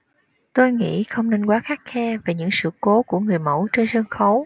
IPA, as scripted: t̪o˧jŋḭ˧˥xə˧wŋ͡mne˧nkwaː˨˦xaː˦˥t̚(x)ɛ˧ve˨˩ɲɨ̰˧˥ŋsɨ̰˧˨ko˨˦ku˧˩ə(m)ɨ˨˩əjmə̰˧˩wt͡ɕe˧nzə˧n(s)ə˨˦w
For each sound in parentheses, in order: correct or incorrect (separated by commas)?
correct, incorrect, incorrect